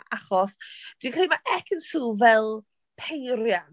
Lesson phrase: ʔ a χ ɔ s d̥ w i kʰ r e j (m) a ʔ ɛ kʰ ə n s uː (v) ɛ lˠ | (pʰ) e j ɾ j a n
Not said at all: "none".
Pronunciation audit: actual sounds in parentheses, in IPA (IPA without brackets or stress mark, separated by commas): m, v, pʰ